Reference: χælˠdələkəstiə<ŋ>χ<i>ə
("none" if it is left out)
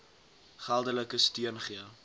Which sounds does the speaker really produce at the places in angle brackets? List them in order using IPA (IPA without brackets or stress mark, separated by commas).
n, i